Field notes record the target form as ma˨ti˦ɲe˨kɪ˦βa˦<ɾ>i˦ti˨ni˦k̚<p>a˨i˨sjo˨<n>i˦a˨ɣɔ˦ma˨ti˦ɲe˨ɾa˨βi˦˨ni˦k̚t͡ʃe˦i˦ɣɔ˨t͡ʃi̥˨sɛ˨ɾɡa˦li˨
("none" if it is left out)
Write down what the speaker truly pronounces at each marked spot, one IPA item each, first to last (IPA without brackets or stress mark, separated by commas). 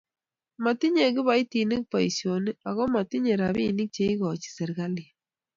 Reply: none, p, n